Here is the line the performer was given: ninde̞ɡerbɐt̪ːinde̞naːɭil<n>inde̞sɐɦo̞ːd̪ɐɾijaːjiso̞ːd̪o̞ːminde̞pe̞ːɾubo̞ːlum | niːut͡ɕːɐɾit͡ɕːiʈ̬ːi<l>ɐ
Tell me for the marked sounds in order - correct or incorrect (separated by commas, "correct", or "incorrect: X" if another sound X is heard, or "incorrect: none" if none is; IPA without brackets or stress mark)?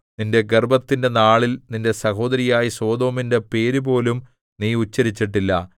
correct, incorrect: lː